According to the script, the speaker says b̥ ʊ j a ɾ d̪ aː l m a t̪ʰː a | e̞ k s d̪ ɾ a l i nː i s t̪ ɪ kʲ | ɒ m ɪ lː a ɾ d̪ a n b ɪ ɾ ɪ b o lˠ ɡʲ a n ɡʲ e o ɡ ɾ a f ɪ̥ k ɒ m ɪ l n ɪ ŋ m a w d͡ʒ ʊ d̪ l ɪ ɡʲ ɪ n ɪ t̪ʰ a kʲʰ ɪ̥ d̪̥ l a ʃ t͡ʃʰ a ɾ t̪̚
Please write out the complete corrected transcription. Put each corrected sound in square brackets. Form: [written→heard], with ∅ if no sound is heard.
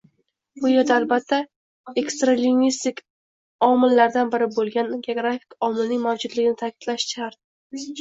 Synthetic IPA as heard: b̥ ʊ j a ɾ d̪ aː l [m→b] a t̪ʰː a | e̞ k s [d̪→t̪] ɾ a l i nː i s t̪ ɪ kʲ | ɒ m ɪ lː a ɾ d̪ a n b ɪ ɾ ɪ b o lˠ ɡʲ a n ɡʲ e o ɡ ɾ a f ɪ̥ k ɒ m ɪ l n ɪ ŋ m a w d͡ʒ ʊ d̪ l ɪ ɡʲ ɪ n ɪ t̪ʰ a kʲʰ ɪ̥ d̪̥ l a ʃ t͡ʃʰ a ɾ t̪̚

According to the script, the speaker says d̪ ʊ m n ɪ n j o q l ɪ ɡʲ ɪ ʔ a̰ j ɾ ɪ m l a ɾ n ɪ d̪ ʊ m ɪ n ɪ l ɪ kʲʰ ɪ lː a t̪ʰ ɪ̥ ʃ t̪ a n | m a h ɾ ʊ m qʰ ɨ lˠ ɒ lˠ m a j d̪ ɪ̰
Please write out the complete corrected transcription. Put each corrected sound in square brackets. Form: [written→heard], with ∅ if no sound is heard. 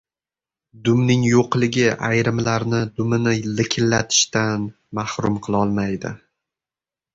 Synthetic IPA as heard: d̪ ʊ m n ɪ [n→ŋ] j o q l ɪ ɡʲ ɪ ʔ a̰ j ɾ ɪ m l a ɾ n ɪ d̪ ʊ m ɪ n ɪ l ɪ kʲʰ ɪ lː a t̪ʰ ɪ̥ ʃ t̪ a n | m a h ɾ ʊ m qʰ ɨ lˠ ɒ lˠ m a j d̪ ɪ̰

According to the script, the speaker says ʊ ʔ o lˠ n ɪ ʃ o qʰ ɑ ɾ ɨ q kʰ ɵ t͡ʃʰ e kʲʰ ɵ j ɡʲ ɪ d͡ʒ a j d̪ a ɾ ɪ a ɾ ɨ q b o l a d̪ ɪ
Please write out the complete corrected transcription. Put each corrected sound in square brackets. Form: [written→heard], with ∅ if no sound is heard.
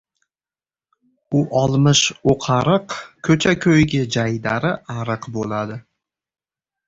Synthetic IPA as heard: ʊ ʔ [o→ɒ] lˠ [n→m] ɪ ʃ o qʰ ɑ ɾ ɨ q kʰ ɵ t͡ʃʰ [e→a] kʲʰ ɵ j ɡʲ ɪ d͡ʒ a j d̪ a ɾ ɪ a ɾ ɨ q b o l a d̪ ɪ

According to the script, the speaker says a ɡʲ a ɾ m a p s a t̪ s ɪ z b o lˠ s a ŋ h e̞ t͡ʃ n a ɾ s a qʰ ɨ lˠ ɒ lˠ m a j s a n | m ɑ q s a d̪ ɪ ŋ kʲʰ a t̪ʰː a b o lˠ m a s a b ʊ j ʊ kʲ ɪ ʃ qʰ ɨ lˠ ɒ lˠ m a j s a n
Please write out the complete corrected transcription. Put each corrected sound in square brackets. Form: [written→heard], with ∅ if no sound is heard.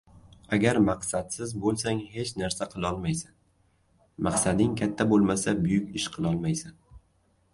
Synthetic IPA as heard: a ɡʲ a ɾ m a [p→q] s a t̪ s ɪ z b o lˠ s a ŋ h e̞ t͡ʃ n a ɾ s a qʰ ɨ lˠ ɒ lˠ m a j s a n | m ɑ q s a d̪ ɪ ŋ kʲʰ a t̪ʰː a b o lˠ m a s a b ʊ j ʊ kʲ ɪ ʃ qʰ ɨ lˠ ɒ lˠ m a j s a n

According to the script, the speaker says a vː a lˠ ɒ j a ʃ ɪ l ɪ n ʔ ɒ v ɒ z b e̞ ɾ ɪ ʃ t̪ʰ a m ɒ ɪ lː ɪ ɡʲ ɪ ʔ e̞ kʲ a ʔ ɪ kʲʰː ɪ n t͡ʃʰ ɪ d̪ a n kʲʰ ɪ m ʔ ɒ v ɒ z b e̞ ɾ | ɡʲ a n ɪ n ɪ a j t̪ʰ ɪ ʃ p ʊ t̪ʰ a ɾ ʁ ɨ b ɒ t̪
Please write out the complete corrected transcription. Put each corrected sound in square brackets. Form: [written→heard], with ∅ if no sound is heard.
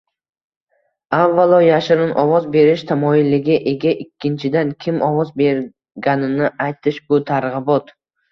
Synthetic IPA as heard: a vː a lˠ ɒ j a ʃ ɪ [l→ɾ] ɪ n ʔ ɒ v ɒ z b e̞ ɾ ɪ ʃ t̪ʰ a m ɒ ɪ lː ɪ ɡʲ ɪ ʔ e̞ [kʲ→ɡʲ] a ʔ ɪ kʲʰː ɪ n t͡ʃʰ ɪ d̪ a n kʲʰ ɪ m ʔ ɒ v ɒ z b e̞ ɾ | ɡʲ a n ɪ n ɪ a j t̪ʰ ɪ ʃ [p→b] ʊ t̪ʰ a ɾ ʁ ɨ b ɒ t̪

